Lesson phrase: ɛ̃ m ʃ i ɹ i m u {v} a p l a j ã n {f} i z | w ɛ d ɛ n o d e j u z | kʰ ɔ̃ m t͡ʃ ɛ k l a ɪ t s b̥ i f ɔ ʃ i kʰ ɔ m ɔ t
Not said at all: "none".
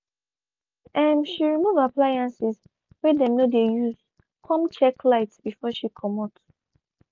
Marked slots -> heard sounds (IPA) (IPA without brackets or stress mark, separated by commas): v, s